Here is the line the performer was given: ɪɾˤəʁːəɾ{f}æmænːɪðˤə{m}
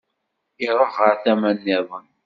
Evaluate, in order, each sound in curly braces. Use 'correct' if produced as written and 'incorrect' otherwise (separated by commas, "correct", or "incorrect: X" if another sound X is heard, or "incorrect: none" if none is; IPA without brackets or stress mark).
incorrect: θ, incorrect: n